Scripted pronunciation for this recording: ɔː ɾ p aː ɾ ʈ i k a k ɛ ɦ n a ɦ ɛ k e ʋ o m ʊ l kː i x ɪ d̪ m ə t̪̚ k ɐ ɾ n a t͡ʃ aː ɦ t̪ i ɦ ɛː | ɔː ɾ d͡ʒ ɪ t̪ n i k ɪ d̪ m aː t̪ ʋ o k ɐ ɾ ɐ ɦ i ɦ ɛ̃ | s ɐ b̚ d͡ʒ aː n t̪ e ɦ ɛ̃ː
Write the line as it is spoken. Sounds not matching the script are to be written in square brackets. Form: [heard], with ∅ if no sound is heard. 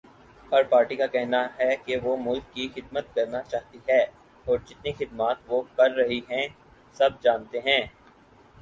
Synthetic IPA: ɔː ɾ p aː ɾ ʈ i k a k ɛ ɦ n a ɦ ɛ k e ʋ o m ʊ l kː i x ɪ d̪ m ə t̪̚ k ɐ ɾ n a t͡ʃ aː ɦ t̪ i ɦ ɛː | ɔː ɾ d͡ʒ ɪ t̪ n i [x] ɪ d̪ m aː t̪ ʋ o k ɐ [ɾː] ɐ ɦ i ɦ ɛ̃ | s ɐ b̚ d͡ʒ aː n t̪ e ɦ ɛ̃ː